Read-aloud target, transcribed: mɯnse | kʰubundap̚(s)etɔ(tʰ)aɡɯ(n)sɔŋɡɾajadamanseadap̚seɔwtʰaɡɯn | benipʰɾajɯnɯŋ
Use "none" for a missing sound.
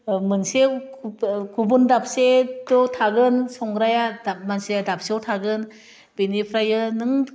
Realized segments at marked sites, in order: s, tʰ, n

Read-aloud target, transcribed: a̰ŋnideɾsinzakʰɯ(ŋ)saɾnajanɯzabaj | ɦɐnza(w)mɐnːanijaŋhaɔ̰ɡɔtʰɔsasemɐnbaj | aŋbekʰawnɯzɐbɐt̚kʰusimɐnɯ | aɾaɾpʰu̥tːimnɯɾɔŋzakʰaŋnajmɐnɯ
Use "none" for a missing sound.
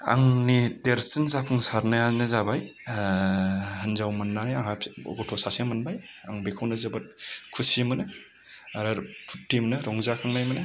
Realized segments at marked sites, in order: ŋ, w

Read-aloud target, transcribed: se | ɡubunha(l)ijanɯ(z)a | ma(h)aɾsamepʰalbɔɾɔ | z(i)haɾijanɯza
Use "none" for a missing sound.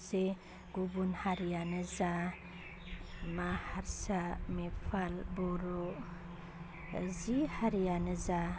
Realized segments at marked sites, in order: ɾ, z, h, i

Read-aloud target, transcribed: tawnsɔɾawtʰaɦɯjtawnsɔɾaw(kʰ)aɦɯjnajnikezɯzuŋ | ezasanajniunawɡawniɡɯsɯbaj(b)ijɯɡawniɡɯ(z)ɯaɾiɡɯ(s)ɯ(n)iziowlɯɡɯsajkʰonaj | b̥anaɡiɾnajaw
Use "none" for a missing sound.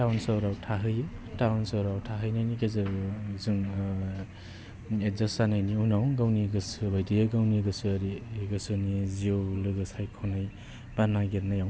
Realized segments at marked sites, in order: tʰ, d, s, s, n

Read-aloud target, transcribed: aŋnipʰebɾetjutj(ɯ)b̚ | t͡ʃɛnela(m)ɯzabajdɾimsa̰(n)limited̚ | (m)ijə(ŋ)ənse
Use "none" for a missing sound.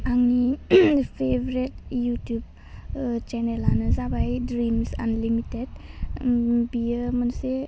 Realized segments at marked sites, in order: u, n, n, b, m

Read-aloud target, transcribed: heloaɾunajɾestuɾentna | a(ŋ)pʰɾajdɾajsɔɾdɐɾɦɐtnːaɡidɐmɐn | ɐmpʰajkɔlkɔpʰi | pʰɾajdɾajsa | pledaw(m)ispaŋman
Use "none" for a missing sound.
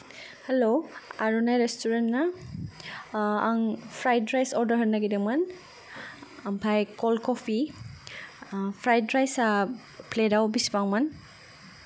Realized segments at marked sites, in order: ŋ, b

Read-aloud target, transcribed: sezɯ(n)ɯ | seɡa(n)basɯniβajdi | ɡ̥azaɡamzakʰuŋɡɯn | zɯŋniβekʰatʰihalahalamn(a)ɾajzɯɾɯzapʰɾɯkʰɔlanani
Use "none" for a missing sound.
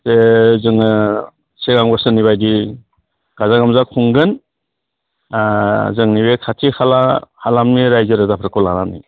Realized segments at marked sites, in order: ŋ, ŋ, i

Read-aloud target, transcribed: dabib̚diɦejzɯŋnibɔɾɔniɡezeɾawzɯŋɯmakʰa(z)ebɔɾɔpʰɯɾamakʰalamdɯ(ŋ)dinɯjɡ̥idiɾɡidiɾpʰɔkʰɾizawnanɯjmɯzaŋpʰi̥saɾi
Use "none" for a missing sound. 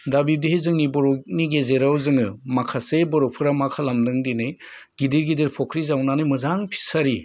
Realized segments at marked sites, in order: s, ŋ

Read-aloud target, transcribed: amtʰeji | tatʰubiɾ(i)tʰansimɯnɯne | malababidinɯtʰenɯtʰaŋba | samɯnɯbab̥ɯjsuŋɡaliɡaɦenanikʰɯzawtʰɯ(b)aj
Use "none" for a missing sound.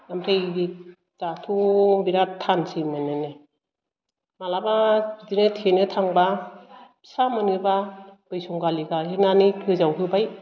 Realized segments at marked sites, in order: a, b

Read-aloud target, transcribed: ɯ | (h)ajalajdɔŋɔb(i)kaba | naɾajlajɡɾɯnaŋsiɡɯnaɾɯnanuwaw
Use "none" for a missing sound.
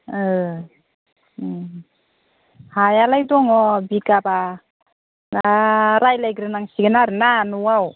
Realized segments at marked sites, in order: h, i

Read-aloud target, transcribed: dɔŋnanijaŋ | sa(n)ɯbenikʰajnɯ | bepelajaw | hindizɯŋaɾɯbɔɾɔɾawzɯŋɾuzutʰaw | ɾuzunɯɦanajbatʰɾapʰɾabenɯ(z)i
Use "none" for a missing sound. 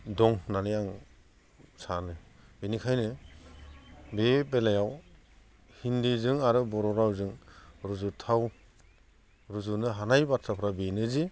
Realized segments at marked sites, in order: n, z

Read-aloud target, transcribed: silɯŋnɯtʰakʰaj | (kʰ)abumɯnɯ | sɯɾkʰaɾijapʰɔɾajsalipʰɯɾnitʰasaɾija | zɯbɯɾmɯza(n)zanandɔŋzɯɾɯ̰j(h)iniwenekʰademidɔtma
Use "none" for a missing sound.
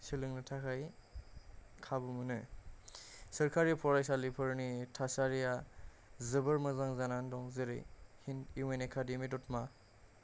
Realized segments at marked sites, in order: kʰ, ŋ, h

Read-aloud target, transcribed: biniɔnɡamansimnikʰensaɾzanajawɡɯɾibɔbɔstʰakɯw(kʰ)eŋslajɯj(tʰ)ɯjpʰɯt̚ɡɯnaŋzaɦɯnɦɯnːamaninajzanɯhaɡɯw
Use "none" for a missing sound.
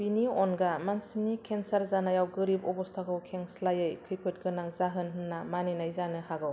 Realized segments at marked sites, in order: kʰ, kʰ

